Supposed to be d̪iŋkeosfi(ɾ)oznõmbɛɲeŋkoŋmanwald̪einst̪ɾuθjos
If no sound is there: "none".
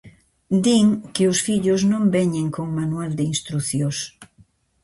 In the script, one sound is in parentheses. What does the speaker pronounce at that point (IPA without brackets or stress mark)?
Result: ʎ